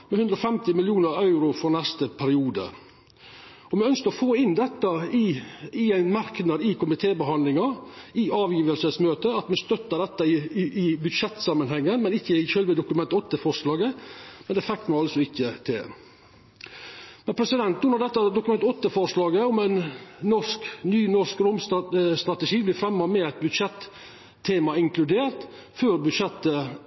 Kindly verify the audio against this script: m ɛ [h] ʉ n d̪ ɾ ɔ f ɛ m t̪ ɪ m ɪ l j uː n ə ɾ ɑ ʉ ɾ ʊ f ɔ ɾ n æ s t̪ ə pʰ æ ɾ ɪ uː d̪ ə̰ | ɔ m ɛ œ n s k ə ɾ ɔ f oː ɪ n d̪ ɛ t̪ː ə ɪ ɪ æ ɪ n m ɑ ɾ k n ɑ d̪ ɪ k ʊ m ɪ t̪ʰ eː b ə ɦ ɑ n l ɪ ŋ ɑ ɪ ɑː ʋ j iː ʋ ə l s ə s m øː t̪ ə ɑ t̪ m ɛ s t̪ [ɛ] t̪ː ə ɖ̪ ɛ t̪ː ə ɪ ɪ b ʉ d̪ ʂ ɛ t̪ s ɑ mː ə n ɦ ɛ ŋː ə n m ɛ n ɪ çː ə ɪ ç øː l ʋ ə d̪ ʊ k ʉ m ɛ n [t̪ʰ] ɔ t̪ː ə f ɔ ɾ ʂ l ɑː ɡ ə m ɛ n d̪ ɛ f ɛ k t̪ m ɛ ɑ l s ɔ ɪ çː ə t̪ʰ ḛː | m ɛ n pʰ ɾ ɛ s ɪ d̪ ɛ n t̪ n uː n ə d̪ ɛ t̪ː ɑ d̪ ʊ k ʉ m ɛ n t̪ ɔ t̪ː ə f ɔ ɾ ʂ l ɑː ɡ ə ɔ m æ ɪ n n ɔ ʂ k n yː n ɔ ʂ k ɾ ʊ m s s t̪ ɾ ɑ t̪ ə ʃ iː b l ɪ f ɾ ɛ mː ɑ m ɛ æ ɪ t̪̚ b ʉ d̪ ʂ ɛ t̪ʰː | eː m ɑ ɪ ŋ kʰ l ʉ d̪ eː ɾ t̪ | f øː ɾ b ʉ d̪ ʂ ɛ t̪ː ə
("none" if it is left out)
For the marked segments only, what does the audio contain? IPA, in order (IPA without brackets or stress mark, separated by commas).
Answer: h, œ, t̪